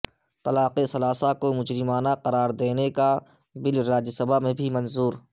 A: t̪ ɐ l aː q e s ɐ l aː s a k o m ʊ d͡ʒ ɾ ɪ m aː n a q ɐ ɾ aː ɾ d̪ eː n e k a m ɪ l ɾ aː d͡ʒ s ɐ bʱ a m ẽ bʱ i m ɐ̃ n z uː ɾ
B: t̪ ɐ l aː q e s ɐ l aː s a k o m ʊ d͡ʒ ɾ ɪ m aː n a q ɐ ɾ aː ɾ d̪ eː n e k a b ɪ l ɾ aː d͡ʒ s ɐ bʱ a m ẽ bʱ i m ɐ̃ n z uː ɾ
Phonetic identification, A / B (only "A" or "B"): B